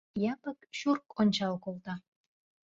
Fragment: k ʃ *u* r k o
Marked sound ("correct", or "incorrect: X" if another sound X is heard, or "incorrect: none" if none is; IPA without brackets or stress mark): correct